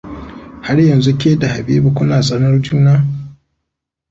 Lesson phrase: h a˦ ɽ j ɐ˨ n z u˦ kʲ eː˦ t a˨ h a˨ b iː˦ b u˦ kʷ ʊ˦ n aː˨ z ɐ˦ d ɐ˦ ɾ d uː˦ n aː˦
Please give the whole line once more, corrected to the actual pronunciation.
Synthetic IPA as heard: h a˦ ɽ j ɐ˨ n z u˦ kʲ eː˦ d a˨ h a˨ b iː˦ b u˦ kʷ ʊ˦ n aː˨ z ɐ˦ n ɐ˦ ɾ d͡ʒ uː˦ n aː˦